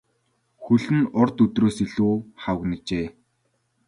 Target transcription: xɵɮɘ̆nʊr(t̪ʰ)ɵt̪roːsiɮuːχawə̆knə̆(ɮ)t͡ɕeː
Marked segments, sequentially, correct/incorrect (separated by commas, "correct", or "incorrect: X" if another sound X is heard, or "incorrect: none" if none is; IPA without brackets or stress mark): incorrect: t̪, incorrect: none